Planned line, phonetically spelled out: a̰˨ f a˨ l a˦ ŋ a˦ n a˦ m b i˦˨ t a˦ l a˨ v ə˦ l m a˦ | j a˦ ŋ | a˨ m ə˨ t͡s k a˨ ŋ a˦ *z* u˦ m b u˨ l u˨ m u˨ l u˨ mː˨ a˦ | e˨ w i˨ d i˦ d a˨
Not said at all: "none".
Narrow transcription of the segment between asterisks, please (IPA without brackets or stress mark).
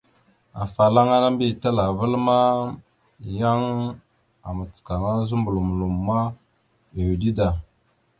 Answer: z